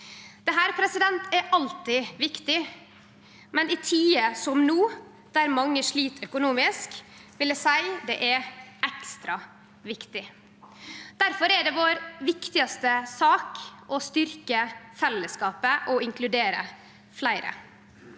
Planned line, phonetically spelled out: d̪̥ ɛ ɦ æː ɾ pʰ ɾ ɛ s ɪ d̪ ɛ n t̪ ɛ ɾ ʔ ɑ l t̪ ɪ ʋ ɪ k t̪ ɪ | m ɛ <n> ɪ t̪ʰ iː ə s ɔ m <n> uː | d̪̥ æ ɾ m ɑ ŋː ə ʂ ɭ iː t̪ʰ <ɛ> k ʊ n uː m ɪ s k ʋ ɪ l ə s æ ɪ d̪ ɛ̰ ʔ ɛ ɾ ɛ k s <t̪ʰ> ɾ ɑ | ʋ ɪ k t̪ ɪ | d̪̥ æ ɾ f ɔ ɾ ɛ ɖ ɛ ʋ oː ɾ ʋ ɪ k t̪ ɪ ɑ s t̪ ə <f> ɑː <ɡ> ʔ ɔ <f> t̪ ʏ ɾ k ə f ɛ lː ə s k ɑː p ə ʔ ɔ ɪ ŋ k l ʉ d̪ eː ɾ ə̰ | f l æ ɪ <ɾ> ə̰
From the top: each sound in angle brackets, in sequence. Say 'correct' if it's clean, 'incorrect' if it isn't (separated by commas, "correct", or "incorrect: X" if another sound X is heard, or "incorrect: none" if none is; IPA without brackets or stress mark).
correct, correct, incorrect: œ, incorrect: t̪, incorrect: s, incorrect: k, incorrect: s, correct